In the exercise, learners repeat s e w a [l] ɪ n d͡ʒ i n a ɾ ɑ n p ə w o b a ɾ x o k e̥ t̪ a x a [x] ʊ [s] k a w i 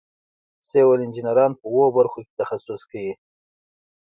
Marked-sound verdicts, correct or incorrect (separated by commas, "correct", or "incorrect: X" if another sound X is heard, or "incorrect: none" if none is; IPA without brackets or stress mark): correct, incorrect: s, correct